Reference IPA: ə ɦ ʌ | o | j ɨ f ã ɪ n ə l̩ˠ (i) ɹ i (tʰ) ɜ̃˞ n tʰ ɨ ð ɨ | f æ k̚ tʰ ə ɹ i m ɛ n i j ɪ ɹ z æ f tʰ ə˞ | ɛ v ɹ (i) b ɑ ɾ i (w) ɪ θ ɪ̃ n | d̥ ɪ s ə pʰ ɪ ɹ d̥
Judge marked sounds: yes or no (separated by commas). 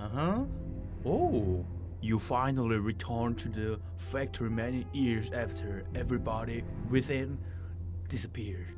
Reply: yes, yes, yes, yes